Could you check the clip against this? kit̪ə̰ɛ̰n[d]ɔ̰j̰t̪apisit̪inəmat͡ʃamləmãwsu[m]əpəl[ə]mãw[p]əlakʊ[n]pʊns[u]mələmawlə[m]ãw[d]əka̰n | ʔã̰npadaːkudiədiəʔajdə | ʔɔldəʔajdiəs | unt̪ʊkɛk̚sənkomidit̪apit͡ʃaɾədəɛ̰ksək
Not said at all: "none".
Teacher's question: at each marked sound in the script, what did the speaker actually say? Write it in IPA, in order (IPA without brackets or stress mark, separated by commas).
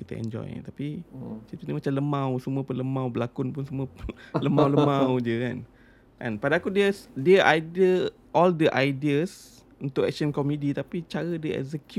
d͡ʒ, m, ə, b, n, u, m, d͡ʒ